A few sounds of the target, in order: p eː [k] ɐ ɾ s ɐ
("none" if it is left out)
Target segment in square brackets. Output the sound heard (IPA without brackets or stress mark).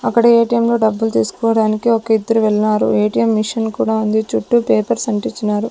p